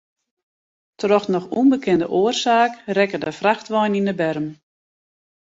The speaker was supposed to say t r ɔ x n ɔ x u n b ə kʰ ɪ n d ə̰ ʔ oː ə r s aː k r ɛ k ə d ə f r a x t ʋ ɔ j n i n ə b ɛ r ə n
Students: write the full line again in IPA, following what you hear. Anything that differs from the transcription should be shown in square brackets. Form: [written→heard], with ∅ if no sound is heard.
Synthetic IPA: t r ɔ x n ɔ x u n b ə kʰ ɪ n d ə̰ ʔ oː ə r s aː k r ɛ k ə d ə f r a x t ʋ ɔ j n i n ə b ɛ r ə [n→m]